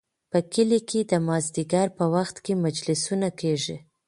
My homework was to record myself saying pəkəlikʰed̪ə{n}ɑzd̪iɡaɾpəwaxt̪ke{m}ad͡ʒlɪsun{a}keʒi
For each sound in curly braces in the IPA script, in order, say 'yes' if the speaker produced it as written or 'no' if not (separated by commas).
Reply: no, yes, yes